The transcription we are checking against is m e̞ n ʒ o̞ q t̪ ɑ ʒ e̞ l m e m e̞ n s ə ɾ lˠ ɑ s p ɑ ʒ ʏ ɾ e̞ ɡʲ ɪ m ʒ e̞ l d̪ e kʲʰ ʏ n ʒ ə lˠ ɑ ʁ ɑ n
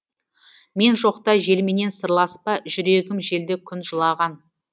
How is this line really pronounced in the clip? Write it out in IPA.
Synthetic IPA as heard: m e̞ n ʒ o̞ q t̪ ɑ ʒ e̞ l m e n e̞ n s ə ɾ lˠ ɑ s p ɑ ʒ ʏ ɾ e̞ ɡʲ ɪ m ʒ e̞ l d̪ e kʲʰ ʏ n ʒ ə lˠ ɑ ʁ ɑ n